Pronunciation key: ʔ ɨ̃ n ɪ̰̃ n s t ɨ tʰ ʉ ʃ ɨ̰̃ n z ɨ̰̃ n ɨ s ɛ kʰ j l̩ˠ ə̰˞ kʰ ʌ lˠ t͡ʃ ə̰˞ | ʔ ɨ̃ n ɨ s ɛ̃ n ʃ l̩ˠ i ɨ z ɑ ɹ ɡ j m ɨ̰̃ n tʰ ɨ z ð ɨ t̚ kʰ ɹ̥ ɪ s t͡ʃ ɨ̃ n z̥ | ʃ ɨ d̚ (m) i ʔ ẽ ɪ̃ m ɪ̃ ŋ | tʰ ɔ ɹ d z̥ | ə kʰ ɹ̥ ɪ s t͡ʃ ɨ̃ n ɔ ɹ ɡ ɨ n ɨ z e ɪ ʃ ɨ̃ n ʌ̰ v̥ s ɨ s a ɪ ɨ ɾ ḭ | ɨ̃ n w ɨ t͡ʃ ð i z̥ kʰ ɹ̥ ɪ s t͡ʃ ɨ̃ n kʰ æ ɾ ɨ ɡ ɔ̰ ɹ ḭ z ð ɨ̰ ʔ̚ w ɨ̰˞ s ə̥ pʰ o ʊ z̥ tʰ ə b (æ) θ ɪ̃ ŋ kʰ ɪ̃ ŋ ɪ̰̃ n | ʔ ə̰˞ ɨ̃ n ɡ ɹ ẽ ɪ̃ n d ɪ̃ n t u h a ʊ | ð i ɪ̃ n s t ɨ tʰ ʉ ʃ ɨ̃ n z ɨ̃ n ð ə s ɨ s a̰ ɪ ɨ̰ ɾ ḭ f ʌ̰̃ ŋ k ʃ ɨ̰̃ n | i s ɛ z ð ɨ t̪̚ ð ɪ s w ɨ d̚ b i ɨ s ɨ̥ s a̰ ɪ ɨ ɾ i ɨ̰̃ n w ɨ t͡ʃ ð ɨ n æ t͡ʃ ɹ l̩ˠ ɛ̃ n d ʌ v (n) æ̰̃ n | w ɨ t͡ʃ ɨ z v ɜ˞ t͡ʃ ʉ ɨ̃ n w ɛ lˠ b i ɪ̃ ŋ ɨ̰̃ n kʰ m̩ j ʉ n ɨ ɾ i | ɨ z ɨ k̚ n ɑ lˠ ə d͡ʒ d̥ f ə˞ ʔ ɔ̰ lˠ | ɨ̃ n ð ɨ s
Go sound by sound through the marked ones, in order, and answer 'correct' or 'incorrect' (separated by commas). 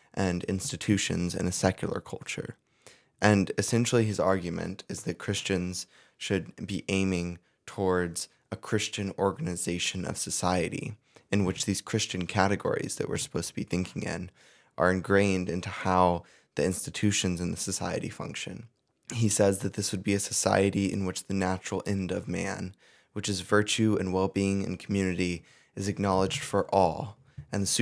incorrect, incorrect, incorrect